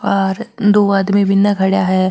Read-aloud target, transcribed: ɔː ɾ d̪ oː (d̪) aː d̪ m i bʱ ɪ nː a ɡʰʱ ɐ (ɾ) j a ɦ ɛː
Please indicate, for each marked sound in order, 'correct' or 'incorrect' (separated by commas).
incorrect, incorrect